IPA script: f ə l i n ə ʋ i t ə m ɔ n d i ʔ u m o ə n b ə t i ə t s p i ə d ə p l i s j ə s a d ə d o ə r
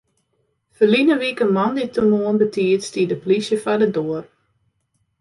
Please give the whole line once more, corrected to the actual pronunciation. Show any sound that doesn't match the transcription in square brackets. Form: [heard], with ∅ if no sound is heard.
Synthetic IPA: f ə l i n ə ʋ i [k] ə m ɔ n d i [t] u m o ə n b ə t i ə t s [t] i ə d ə p l i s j ə [f] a d ə d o ə r